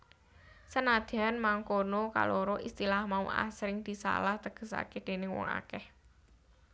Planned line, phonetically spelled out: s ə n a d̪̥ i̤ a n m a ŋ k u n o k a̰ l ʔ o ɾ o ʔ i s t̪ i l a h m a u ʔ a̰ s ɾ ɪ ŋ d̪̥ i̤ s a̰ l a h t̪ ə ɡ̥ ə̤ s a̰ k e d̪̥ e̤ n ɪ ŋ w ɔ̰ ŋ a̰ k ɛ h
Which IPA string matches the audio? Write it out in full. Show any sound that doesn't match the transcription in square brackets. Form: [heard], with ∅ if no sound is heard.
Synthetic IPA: s ə n a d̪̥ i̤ a n m a ŋ k [o] n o k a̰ l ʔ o ɾ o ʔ i s t̪ i l a h m a u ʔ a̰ s ɾ ɪ ŋ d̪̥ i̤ s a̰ l a h t̪ ə ɡ̥ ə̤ s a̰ k e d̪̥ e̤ n ɪ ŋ w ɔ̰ ŋ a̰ k ɛ h